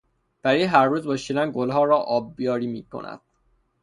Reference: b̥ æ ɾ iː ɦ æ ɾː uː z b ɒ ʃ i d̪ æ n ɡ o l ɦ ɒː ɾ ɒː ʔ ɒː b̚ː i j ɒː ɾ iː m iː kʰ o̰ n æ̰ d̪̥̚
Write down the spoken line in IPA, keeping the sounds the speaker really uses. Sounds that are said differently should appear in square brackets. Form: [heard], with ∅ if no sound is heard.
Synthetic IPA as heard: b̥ æ ɾ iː ɦ æ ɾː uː z b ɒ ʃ i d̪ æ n ɡ o l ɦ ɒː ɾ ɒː ʔ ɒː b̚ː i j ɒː ɾ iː m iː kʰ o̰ n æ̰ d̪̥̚